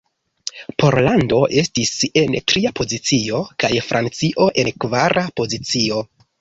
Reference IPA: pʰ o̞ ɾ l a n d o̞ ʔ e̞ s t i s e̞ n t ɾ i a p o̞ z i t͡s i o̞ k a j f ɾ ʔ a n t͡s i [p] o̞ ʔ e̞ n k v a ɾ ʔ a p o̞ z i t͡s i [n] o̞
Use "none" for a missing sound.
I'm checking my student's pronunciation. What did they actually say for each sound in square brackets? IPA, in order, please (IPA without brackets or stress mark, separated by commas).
ʔ, none